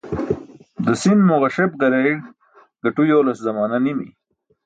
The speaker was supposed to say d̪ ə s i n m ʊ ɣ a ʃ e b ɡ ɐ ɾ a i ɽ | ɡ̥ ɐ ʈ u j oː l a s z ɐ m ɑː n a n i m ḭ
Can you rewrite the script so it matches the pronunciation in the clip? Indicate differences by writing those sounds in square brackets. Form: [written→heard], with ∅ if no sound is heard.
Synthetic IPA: d̪ ə s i n m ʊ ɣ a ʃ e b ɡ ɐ ɾ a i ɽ | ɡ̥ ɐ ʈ u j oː l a s z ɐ m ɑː n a n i m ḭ